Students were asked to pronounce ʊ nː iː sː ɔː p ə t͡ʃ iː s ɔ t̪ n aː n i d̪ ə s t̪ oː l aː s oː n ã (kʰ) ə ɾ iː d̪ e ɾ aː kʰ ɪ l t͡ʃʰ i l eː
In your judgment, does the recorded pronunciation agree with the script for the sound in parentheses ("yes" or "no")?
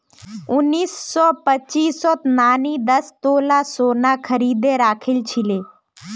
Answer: yes